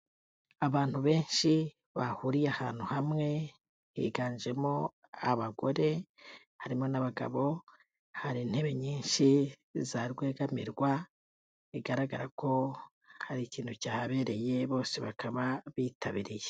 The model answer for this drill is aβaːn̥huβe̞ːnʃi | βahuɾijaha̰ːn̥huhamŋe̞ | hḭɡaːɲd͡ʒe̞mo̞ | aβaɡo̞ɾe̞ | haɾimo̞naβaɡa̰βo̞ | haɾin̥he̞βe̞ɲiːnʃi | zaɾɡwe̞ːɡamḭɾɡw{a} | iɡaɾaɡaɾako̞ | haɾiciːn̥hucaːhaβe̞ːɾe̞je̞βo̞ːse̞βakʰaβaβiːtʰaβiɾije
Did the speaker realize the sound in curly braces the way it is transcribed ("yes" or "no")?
yes